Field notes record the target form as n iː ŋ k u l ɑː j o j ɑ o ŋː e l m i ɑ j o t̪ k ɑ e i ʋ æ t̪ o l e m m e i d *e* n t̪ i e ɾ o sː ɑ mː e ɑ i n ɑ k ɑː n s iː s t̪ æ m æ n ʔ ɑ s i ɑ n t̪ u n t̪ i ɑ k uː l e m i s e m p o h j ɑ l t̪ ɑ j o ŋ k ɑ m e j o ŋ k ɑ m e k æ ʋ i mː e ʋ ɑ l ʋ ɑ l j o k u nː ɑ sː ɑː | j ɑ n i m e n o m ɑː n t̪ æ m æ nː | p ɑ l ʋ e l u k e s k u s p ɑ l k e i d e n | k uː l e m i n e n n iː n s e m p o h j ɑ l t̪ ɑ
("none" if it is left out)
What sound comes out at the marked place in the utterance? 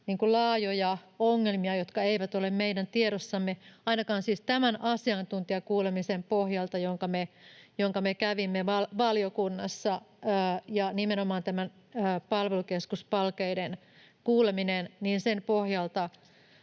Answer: æ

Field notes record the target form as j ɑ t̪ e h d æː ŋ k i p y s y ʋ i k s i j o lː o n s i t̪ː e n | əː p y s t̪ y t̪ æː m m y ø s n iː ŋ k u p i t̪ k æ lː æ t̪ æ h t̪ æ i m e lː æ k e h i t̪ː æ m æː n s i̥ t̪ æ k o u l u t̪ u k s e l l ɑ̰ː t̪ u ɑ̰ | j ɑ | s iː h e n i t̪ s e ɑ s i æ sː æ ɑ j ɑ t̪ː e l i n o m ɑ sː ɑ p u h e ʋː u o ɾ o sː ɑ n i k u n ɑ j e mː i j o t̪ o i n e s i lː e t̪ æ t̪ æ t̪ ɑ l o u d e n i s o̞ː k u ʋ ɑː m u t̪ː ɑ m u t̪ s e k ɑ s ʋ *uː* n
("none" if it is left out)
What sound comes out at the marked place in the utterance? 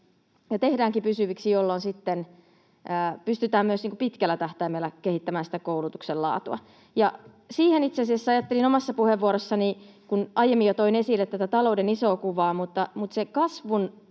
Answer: u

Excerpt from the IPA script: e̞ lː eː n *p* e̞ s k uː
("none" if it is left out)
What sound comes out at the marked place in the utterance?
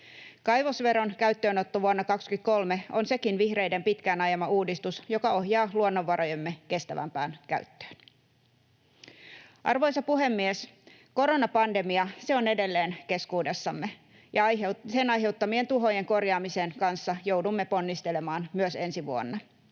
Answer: k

